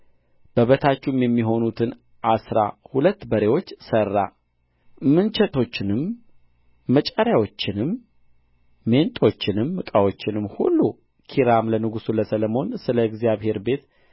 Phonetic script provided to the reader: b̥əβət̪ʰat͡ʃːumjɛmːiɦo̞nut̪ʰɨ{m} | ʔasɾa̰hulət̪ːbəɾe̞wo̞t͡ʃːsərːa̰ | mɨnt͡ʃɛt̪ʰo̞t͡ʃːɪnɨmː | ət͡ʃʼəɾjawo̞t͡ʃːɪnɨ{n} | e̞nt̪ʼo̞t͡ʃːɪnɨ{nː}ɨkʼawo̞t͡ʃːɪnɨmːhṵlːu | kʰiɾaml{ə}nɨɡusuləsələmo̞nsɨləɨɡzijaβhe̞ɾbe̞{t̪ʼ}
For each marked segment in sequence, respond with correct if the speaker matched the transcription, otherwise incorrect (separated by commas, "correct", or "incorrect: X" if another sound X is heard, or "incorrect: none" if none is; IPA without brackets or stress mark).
incorrect: n, incorrect: m, incorrect: mː, correct, incorrect: t̪